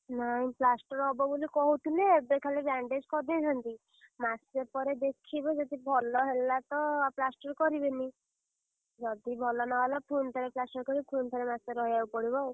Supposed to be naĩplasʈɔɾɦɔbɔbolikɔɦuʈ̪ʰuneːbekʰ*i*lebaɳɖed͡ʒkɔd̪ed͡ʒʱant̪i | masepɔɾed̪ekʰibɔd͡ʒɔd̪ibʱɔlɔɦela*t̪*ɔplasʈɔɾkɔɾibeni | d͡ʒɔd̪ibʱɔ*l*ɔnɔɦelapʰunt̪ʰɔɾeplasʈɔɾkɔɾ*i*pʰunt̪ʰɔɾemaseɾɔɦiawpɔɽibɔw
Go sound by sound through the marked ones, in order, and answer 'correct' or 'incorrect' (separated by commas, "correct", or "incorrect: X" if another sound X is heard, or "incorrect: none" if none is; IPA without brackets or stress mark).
incorrect: a, correct, correct, correct